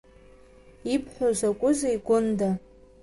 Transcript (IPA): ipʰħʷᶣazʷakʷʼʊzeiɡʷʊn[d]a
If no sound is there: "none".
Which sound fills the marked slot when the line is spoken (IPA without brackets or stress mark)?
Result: d